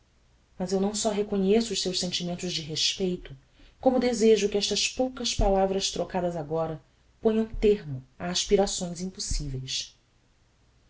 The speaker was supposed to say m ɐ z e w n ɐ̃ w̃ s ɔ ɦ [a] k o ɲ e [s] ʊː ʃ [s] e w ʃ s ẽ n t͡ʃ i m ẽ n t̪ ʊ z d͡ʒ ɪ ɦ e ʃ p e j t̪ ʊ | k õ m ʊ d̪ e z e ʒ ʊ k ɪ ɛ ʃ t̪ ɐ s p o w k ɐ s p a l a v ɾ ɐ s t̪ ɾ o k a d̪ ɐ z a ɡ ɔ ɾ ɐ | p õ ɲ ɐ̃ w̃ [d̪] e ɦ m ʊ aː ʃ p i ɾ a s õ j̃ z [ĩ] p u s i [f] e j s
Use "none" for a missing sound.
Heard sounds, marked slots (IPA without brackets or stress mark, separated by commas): e, s, s, t̪, ĩ, v